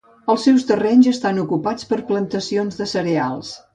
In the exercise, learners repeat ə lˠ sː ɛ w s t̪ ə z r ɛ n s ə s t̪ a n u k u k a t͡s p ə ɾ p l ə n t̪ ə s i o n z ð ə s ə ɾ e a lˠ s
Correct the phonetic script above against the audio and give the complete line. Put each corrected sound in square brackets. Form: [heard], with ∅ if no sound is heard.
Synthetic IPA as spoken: ə lˠ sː ɛ w s t̪ ə [∅] r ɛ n [z] ə s t̪ a n u k u [p] a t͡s p ə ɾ p l ə n t̪ ə s i o n z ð ə s ə ɾ e a lˠ s